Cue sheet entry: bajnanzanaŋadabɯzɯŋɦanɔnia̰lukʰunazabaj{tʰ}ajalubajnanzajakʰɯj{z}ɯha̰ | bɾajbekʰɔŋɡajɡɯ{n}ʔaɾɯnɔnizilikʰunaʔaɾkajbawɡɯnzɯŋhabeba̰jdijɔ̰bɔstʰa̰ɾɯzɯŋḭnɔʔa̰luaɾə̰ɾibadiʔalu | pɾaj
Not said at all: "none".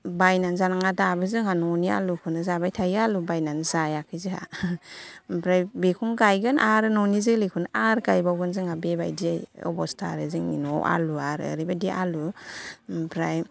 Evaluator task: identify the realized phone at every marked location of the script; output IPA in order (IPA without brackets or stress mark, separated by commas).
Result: tʰ, z, n